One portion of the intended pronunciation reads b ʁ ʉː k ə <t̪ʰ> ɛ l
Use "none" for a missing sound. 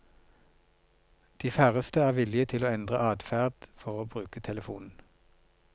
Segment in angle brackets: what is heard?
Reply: t̪ʰ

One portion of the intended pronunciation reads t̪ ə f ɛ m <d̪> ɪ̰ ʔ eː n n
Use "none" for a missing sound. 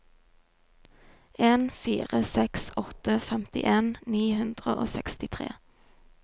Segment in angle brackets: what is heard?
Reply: t̪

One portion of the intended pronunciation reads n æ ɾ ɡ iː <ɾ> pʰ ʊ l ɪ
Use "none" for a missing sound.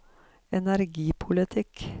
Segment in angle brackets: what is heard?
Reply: none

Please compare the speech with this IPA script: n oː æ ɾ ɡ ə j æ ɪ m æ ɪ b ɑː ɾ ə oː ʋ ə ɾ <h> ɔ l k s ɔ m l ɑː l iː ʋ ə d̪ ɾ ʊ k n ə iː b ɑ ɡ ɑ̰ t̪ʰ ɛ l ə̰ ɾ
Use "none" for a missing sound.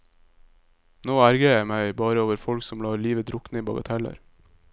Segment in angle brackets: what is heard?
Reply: f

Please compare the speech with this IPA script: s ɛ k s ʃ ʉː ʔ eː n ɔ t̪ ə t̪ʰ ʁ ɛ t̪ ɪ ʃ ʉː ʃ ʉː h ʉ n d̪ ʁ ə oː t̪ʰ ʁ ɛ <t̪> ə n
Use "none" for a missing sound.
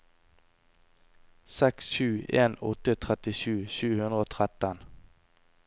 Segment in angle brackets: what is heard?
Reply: t̪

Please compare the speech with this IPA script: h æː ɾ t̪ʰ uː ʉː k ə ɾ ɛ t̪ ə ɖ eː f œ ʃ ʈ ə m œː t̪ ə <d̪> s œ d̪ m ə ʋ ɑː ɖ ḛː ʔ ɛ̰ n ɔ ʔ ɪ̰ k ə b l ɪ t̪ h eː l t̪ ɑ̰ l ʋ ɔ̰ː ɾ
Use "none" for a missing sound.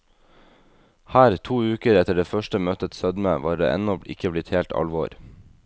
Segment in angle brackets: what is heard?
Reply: t̪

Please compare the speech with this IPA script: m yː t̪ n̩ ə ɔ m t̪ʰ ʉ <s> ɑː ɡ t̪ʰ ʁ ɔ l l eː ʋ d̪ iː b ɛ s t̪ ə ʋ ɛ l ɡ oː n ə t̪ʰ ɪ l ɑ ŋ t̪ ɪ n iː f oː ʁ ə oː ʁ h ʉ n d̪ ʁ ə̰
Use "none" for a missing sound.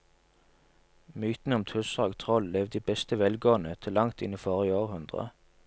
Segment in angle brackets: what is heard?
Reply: s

